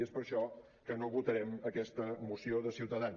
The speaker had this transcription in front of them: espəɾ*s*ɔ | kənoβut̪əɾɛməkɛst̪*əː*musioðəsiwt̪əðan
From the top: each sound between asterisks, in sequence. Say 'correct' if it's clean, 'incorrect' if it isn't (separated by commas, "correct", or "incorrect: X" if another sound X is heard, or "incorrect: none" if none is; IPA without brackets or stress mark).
incorrect: ʃ, incorrect: ə